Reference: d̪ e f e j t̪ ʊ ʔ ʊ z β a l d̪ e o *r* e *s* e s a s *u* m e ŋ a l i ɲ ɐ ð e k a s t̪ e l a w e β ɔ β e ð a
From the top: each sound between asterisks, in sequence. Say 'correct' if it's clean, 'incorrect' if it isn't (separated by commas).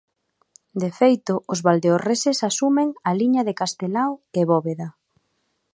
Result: correct, correct, correct